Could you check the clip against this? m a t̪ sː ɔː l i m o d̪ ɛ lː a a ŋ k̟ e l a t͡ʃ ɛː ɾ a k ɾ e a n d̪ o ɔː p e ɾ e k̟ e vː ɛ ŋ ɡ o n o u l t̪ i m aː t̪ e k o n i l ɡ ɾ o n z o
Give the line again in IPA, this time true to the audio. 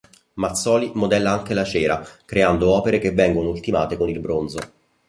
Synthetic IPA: m a t̪ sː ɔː l i m o d̪ ɛ lː a a ŋ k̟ e l a t͡ʃ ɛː ɾ a k ɾ e a n d̪ o ɔː p e ɾ e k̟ e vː ɛ ŋ ɡ o n o u l t̪ i m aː t̪ e k o n i l b ɾ o n z o